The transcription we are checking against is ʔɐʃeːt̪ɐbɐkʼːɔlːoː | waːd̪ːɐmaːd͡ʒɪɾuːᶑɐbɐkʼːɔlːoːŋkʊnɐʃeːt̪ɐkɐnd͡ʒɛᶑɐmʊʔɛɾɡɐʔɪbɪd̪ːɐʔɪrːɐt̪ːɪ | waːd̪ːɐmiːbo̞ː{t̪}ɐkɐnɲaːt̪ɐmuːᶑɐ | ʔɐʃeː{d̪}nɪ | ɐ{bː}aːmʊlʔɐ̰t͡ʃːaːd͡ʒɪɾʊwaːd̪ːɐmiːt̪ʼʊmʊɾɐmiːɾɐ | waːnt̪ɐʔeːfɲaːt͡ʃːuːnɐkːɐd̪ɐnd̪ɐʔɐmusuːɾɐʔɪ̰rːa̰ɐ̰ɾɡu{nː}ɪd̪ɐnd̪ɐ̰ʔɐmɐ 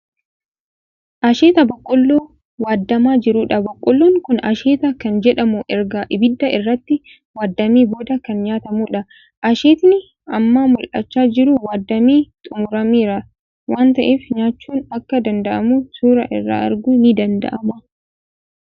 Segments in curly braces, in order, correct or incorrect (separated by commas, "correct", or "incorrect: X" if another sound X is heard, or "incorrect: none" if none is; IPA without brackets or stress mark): incorrect: d̪, incorrect: t̪, incorrect: mː, incorrect: n